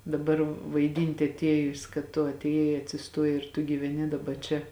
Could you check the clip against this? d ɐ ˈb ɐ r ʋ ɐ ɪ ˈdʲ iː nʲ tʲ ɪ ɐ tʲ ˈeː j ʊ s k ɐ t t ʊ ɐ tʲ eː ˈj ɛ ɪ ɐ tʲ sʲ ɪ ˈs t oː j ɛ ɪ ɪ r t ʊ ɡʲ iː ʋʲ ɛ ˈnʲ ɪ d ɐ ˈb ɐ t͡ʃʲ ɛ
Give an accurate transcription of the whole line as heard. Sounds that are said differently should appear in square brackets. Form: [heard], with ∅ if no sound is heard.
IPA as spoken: d ɐ ˈb ɐ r ʋ ɐ ɪ ˈdʲ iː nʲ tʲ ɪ ɐ tʲ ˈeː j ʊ s k ɐ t t ʊ ɐ tʲ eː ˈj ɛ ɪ ɐ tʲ sʲ ɪ ˈs t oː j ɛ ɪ ɪ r t ʊ ɡʲ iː ʋʲ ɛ ˈnʲ ɪ d ɐ ˈb ɐ t͡ʃʲ ɛ